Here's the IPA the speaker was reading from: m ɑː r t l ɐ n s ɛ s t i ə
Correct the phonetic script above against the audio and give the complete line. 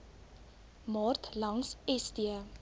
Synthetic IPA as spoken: m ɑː r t l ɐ ŋ s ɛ s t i ə